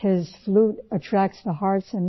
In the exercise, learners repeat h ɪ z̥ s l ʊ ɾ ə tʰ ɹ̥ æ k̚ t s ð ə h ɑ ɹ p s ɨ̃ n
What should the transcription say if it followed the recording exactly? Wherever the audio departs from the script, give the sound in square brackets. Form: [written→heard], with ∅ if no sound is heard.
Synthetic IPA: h ɪ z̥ [s→f] l [ʊ→u] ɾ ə tʰ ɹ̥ æ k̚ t s ð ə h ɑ ɹ [p→t] s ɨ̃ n